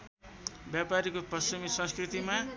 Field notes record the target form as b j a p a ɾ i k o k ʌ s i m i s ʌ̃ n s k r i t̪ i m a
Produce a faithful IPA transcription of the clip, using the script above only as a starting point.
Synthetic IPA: b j a p a ɾ i k o p ʌ s i m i s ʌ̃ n s k r i t̪ i m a